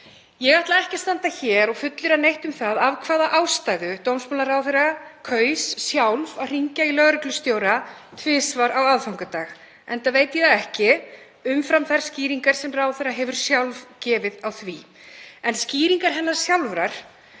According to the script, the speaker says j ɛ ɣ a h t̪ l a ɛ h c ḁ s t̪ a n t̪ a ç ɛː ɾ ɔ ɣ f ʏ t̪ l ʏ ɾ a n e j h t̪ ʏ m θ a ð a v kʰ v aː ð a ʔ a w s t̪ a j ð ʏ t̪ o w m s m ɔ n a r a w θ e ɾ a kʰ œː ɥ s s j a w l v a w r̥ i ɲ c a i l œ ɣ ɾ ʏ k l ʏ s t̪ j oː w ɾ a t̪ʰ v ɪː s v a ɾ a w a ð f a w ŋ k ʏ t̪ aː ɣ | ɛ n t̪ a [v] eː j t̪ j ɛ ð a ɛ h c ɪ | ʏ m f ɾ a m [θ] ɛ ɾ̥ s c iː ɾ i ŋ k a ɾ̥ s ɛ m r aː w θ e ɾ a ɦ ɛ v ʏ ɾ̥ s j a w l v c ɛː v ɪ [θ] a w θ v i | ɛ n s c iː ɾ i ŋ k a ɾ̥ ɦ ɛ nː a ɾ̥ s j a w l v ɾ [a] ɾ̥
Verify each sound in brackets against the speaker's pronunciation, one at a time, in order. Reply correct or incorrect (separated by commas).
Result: correct, correct, incorrect, correct